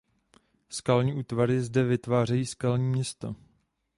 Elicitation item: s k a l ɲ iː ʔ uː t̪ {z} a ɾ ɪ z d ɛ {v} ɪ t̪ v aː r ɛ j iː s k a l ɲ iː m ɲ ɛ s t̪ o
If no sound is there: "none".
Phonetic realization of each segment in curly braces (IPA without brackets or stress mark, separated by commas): v, v